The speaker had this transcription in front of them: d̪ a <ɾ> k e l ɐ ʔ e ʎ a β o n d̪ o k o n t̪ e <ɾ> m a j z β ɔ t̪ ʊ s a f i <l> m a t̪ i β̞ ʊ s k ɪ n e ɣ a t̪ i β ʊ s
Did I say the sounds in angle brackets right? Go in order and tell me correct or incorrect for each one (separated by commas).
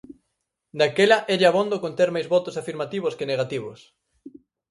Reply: incorrect, correct, incorrect